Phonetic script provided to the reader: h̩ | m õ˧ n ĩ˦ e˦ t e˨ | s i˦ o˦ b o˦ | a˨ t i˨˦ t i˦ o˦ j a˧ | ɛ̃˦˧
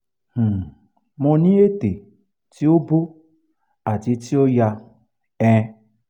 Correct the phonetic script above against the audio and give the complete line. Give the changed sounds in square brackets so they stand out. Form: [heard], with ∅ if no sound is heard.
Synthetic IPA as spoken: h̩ | m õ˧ n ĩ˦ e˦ t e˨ | [t] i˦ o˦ b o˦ | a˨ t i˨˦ t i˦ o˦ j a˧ | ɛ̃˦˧